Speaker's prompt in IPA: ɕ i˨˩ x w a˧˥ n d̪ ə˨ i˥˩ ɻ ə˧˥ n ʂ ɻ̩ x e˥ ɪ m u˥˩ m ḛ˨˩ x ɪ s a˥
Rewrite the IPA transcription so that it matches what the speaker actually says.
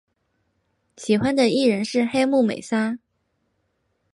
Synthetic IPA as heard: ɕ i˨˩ x w a˥ n d̪ ə˨ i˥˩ ɻ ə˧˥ n ʂ ɻ̩ x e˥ ɪ m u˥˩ m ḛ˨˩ ɪ s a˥